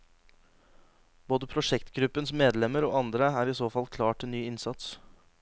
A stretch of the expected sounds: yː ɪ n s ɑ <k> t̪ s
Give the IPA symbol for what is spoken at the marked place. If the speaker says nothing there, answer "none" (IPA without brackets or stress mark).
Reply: none